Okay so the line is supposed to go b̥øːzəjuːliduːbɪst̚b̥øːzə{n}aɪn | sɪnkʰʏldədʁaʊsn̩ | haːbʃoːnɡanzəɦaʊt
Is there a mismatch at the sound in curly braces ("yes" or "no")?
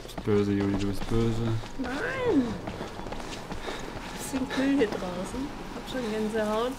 no